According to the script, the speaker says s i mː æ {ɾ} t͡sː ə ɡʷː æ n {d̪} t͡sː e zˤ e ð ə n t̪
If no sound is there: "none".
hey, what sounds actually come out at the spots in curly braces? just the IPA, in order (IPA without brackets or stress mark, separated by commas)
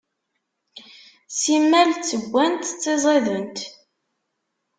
l, t̪